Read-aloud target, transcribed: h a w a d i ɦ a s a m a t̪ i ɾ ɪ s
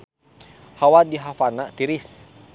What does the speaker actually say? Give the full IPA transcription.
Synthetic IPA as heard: h a w a d i ɦ a f a n a t̪ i ɾ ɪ s